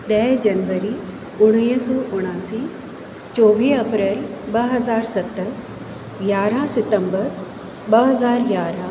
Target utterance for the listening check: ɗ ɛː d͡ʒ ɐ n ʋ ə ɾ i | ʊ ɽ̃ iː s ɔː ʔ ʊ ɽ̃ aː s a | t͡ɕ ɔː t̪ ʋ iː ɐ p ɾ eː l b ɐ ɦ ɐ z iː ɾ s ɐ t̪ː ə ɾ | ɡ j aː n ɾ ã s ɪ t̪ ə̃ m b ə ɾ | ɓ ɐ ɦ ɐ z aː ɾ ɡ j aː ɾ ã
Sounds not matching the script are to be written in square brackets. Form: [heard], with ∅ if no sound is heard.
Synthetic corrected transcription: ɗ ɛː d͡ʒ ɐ n ʋ ə ɾ i | ʊ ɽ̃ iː s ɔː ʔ ʊ ɽ̃ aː s [i] | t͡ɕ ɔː [∅] ʋ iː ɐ p ɾ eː l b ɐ ɦ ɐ z [aː] ɾ s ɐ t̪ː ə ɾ | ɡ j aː [∅] ɾ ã s ɪ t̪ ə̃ m b ə ɾ | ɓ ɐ ɦ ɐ z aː ɾ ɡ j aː ɾ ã